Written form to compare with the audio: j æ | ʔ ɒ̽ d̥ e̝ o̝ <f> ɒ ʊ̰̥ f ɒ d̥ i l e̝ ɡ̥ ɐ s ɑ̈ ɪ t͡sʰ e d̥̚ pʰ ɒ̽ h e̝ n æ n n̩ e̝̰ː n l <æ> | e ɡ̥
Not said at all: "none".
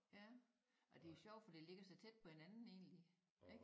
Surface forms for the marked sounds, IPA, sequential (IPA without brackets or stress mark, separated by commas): ɕ, i